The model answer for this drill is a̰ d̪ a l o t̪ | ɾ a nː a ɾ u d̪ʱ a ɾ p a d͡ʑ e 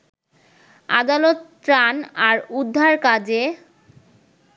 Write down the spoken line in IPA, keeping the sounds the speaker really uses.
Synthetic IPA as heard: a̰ d̪ a l o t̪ | ɾ a n a ɾ u d̪ʱː a ɾ k a d͡ʑ e